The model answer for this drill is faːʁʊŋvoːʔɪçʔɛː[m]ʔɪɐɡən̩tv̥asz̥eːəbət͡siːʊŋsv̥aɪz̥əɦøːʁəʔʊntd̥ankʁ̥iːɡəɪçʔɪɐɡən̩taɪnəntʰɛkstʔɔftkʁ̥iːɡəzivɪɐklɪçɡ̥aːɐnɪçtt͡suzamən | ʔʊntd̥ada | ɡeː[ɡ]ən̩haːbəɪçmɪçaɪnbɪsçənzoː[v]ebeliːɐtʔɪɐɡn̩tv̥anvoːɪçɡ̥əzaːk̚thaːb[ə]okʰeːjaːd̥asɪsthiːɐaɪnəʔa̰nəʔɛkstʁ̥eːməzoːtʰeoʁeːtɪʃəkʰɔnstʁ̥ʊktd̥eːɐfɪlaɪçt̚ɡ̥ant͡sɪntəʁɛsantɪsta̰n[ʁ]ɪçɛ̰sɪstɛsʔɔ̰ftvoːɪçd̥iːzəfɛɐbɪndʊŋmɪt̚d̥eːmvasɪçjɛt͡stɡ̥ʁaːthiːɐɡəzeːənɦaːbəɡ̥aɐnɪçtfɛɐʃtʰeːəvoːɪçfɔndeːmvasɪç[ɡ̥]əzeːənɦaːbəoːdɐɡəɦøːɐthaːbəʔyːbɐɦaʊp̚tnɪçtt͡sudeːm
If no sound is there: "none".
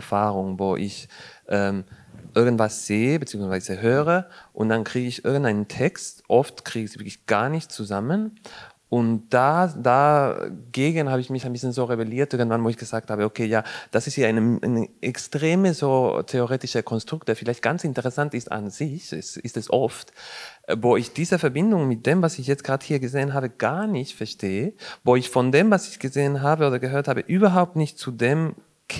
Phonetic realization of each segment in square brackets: m, ɡ, ʁ, ə, z, ɡ̥

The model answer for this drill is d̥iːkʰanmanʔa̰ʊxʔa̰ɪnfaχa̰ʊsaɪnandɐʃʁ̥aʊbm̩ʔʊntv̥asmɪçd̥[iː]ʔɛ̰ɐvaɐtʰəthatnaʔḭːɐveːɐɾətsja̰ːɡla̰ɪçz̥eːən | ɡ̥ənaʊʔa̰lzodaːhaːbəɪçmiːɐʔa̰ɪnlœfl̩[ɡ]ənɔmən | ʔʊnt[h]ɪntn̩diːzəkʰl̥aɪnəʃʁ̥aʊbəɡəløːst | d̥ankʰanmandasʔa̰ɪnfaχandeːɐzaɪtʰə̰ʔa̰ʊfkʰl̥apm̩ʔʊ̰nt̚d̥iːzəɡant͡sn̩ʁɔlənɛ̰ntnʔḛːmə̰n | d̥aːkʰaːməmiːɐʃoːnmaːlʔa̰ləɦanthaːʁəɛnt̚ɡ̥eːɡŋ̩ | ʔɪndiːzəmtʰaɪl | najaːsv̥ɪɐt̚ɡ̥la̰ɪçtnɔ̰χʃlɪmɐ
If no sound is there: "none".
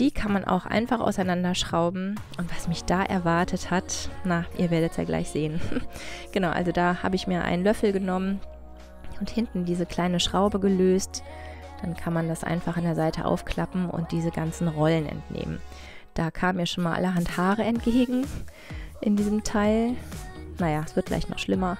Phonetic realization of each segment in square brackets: aː, ɡ, h

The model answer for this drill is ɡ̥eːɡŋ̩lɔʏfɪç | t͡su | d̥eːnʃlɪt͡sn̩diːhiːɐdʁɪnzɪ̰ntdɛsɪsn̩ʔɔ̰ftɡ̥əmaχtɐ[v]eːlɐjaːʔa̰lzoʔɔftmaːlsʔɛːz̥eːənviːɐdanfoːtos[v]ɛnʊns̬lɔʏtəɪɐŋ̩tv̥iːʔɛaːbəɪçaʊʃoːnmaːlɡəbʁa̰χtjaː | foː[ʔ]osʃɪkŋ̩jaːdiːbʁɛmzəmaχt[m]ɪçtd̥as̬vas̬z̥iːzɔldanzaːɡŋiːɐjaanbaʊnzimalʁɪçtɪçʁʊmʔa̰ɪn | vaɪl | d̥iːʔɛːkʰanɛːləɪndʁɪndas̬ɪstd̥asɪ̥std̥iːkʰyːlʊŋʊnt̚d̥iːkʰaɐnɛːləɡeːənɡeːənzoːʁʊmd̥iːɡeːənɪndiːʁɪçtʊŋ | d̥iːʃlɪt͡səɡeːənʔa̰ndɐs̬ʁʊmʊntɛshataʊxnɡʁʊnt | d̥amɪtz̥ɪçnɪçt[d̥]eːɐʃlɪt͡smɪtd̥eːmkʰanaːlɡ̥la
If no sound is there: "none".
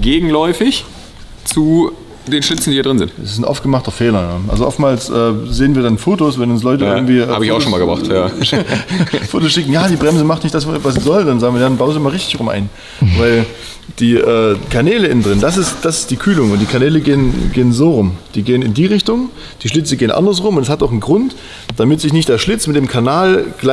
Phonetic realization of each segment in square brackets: f, v, t, n, d̥

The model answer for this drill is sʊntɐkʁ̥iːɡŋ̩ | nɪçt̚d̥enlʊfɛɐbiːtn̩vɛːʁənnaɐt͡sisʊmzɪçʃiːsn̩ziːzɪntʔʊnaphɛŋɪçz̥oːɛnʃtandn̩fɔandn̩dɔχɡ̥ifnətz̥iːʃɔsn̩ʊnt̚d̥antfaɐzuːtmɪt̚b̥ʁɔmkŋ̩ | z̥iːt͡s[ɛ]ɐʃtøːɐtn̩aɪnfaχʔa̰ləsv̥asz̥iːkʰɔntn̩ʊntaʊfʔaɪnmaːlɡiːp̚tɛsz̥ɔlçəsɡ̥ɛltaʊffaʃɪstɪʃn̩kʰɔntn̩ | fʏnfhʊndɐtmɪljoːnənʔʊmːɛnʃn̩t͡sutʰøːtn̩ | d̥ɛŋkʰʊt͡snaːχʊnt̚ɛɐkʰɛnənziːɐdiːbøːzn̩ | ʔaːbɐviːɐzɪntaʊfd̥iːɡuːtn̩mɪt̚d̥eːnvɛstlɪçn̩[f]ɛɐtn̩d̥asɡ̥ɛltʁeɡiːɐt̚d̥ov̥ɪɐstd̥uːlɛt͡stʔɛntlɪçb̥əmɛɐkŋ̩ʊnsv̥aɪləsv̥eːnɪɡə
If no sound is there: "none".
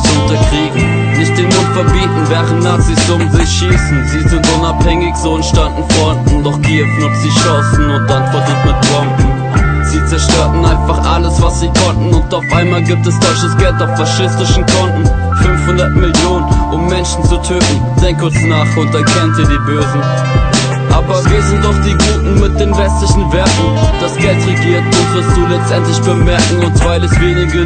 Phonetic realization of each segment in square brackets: ɛ, v

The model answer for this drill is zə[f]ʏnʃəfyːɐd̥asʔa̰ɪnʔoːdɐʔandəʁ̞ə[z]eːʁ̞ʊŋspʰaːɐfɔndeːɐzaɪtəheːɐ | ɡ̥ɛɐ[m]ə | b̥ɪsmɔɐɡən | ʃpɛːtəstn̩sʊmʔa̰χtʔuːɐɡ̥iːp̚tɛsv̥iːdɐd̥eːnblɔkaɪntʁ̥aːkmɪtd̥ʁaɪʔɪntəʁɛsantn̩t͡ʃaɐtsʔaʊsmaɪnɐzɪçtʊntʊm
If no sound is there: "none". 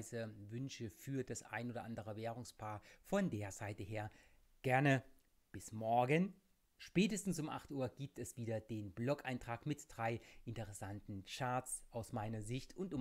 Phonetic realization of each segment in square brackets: v, v, n

